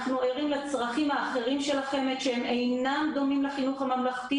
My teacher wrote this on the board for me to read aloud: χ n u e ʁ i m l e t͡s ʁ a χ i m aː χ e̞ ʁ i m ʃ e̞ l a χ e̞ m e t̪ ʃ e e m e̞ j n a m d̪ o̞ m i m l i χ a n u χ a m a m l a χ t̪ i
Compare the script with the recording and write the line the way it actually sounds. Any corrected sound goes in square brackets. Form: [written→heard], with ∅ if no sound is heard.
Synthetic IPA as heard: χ n u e ʁ i m l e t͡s ʁ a χ i m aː χ e̞ ʁ i m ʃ e̞ l a χ e̞ m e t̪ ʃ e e m e̞ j n a m d̪ o̞ m i m l [i→e] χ [a→i] n u χ a m a m l a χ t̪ i

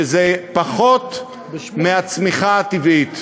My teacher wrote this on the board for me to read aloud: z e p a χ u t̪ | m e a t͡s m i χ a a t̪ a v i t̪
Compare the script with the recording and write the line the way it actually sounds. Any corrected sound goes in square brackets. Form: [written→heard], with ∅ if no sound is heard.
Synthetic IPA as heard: z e p a χ [u→o] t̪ | m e a t͡s m i χ a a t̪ [a→i] v i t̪

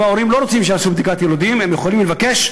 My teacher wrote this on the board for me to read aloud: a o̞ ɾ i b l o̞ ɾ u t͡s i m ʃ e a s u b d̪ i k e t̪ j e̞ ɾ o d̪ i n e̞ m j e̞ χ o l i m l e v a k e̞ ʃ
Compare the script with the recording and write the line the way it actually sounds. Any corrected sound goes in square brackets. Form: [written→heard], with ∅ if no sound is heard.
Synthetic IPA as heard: a o̞ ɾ i [b→m] l o̞ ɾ [u→o] t͡s i m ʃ e a s u b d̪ i k [e→a] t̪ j e̞ [ɾ→l] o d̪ i [n→m] e̞ m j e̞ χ o l i m l e v a k e̞ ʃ

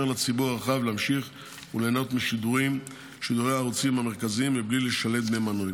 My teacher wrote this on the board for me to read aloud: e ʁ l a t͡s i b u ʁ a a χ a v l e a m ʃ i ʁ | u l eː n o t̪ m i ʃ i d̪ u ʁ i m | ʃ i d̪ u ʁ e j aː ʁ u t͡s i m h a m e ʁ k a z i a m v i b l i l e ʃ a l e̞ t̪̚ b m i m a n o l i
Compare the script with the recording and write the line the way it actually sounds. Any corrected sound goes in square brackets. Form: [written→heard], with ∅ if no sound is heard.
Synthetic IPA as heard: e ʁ l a t͡s i b u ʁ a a χ a v l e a m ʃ i [ʁ→χ] | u l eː n o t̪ m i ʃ i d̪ u ʁ i m | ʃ i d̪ u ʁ e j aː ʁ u t͡s i m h a m e ʁ k a z i [a→i] m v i b l i l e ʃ a l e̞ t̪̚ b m [i→e] m a n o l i

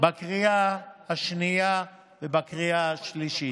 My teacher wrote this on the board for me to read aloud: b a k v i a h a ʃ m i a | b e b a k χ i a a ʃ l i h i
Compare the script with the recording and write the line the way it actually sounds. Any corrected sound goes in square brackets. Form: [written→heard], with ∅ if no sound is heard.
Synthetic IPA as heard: b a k [v→ʁ] i a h a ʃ [m→n] i a | [b→v] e b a k [χ→ʁ] i a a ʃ l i [h→ʃ] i

